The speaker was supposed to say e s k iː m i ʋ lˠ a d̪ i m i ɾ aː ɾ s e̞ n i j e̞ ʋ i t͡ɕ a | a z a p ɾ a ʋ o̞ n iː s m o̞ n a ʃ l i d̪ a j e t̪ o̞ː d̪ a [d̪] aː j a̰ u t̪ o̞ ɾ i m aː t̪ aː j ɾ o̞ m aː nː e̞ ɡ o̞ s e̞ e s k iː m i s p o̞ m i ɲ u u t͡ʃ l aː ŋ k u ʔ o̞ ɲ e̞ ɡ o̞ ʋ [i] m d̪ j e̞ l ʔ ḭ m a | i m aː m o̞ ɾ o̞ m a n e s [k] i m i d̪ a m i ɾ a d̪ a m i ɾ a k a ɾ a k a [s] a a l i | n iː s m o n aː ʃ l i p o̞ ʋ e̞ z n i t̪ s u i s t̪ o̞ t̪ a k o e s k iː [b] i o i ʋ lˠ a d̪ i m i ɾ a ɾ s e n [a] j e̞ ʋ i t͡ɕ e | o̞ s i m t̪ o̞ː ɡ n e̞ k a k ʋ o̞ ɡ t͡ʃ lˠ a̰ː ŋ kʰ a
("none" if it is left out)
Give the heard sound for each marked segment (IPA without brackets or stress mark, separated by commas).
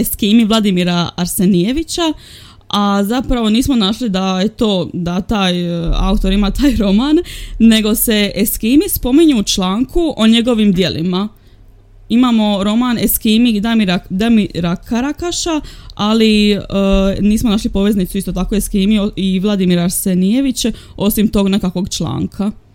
t̪, i, k, ʃ, m, i